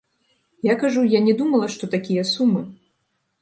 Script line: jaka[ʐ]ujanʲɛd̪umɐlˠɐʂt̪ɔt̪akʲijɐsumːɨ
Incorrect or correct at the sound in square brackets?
correct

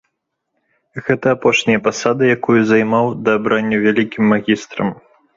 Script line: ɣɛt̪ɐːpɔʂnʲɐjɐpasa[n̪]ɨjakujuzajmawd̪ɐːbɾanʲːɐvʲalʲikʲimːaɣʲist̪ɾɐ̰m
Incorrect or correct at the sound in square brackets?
incorrect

